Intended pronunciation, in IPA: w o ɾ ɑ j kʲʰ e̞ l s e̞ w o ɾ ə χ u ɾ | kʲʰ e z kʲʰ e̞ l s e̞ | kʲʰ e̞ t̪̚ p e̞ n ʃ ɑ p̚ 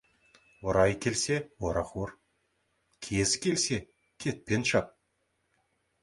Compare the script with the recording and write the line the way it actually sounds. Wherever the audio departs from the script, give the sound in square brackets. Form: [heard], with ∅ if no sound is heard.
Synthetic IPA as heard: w o ɾ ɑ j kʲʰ e̞ l s e̞ w o ɾ [ɑ] χ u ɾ | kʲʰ e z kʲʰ e̞ l s e̞ | kʲʰ e̞ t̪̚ p e̞ n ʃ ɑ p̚